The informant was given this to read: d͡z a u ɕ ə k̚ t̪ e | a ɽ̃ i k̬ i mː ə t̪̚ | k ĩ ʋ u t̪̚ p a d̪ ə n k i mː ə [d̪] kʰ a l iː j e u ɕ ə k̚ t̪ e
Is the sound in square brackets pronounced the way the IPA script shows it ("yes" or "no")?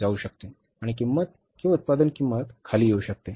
no